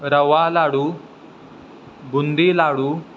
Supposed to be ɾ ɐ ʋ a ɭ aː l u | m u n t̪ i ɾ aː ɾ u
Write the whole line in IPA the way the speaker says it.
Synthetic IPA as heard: ɾ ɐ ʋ a l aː ɽ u | b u n d̪ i l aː ɽ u